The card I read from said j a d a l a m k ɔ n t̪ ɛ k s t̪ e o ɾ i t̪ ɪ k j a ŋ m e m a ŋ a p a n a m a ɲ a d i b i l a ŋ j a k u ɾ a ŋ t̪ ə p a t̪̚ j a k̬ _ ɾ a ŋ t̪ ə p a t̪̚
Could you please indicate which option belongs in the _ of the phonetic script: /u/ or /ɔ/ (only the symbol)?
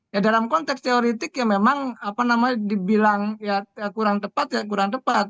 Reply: u